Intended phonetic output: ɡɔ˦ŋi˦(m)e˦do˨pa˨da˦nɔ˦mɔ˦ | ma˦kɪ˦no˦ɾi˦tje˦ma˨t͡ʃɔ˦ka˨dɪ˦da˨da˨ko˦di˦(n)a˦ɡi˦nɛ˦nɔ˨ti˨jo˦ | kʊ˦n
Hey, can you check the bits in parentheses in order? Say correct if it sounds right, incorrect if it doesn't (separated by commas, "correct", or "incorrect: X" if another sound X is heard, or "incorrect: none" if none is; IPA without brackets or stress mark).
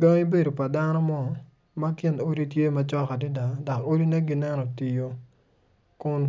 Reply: incorrect: b, correct